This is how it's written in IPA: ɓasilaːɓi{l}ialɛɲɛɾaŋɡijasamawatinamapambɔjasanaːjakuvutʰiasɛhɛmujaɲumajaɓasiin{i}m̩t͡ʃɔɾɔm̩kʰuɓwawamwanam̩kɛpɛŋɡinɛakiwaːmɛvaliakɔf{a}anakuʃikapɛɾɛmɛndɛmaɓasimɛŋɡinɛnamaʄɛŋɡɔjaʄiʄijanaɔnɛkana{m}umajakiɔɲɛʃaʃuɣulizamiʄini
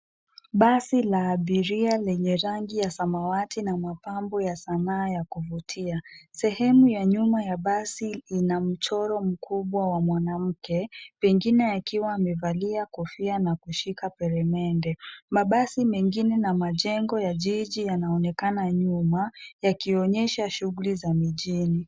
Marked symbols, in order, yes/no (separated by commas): no, no, no, no